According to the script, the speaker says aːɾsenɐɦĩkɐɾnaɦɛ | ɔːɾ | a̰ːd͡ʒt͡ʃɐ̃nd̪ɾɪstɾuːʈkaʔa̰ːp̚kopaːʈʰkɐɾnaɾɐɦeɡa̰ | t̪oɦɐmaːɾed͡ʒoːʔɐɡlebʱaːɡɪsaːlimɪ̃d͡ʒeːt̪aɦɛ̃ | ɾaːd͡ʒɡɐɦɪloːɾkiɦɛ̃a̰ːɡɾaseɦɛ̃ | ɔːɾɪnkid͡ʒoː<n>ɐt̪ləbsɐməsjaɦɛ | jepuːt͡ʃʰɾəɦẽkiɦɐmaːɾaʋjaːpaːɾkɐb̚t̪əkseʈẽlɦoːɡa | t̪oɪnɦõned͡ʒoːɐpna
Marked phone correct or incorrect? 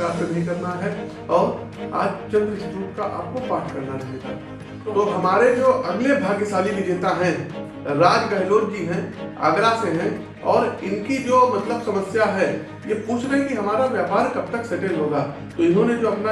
incorrect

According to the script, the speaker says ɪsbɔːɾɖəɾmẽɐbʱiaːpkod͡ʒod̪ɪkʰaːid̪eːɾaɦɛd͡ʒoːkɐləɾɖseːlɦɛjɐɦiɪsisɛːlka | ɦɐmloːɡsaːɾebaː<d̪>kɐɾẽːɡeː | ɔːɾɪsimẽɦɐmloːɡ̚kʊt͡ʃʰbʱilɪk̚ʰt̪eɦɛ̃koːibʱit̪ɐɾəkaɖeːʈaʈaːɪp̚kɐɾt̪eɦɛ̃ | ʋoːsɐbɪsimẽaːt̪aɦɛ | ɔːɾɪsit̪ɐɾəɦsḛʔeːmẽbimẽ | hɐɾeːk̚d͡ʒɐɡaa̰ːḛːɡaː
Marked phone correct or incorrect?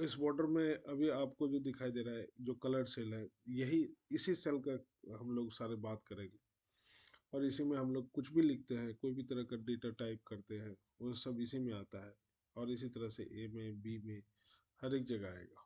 incorrect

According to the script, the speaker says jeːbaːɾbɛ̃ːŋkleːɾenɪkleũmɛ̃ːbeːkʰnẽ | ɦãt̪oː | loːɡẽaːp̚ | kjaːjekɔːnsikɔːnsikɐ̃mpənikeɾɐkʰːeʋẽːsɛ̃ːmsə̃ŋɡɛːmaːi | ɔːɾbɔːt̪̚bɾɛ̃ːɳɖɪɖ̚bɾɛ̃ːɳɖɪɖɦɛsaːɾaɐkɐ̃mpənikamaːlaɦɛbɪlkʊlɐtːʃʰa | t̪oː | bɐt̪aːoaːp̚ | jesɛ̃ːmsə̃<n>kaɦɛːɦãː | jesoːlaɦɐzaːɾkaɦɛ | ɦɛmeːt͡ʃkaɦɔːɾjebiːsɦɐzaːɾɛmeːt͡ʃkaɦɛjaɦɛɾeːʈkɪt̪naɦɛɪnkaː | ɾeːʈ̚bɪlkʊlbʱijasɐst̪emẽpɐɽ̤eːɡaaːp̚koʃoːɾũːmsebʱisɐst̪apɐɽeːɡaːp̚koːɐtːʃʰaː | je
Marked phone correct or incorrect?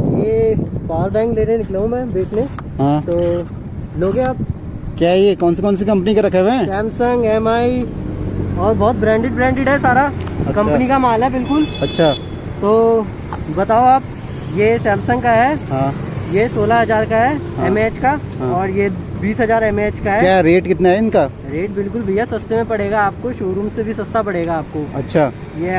incorrect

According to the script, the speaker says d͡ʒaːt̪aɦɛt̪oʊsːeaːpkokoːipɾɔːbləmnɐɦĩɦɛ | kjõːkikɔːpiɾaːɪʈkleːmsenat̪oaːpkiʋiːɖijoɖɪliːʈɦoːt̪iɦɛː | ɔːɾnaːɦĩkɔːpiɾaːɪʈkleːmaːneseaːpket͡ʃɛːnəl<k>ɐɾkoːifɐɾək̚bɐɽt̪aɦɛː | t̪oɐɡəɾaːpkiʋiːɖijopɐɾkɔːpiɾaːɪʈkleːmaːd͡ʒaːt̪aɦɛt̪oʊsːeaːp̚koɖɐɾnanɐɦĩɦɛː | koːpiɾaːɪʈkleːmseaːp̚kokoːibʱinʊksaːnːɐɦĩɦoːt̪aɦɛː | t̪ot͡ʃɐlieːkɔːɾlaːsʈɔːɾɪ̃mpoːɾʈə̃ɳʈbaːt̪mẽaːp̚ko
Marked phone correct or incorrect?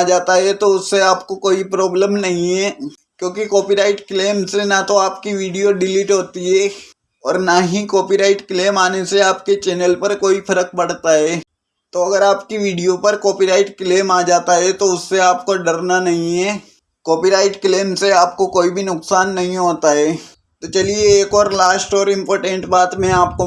incorrect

